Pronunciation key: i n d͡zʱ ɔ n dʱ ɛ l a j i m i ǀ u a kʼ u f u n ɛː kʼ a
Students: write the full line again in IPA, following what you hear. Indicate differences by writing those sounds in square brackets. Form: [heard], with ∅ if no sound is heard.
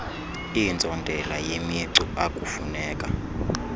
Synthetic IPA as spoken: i n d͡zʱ ɔ n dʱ ɛ l a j [e] m i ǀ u a kʼ u f u n ɛː kʼ a